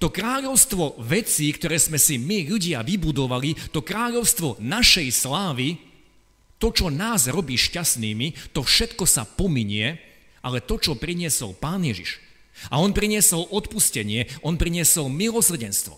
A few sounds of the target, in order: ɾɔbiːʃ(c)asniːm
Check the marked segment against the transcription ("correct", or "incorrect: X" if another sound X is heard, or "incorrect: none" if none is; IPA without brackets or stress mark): correct